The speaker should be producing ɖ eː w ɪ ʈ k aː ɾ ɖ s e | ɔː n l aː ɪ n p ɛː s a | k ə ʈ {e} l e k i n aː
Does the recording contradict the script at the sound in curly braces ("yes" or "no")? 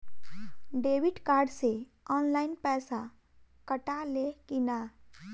yes